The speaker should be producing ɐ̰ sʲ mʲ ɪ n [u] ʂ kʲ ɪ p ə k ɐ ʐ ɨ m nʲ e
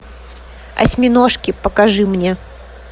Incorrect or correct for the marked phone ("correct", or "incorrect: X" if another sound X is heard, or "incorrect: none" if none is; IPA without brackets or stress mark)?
incorrect: o